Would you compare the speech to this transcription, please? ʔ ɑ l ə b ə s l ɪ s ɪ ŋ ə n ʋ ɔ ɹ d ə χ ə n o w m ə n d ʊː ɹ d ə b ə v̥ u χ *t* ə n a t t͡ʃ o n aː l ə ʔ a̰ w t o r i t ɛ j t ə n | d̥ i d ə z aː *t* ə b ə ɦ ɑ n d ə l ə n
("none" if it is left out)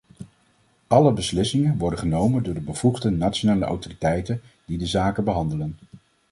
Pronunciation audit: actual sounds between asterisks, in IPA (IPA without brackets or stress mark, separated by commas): d, k